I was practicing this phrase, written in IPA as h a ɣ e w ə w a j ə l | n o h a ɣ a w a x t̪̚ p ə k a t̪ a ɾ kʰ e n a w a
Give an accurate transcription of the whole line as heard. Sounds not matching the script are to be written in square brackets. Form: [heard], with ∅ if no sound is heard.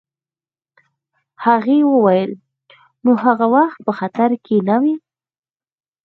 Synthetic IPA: h a ɣ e w ə w a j ə l | n o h a ɣ a w a x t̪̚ p ə [x] a t̪ a ɾ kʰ e n a w [i]